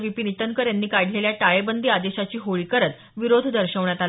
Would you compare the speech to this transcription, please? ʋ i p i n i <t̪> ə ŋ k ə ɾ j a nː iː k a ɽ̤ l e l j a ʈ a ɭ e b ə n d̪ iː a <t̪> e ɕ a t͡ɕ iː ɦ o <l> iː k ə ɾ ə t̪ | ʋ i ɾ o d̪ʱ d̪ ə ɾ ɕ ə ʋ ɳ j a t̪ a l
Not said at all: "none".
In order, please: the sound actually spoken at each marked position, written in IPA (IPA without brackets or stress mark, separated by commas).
t̪, d̪, ɭ